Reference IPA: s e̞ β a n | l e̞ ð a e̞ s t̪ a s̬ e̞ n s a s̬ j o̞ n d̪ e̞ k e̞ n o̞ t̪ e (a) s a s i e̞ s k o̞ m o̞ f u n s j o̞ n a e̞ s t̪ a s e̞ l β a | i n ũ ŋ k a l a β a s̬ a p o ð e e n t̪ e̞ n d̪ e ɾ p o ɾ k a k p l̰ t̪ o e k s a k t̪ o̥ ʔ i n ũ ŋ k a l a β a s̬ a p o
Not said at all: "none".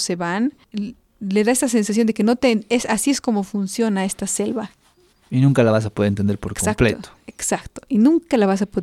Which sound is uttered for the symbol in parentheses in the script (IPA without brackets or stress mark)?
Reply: e